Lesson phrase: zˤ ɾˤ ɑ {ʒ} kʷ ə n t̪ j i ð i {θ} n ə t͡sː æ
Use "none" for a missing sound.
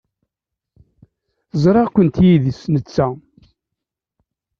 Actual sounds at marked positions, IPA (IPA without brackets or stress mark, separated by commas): ʁ, s